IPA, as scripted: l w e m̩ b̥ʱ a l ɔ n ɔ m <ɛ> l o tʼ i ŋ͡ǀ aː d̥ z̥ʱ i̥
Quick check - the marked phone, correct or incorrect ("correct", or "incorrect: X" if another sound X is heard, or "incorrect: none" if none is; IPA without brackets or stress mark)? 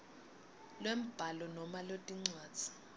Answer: incorrect: a